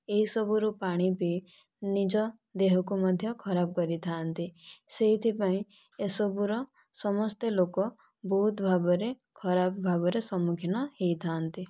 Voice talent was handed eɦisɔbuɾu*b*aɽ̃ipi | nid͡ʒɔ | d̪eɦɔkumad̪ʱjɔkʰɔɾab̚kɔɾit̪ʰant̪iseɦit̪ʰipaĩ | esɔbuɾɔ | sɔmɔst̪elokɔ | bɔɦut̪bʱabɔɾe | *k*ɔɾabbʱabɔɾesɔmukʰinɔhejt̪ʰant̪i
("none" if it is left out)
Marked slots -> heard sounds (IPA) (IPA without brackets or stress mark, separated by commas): p, kʰ